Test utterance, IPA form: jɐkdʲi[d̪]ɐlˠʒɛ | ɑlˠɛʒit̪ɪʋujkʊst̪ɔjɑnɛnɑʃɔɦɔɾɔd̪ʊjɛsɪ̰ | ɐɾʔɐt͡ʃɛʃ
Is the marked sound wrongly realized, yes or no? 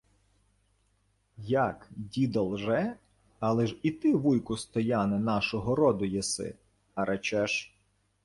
no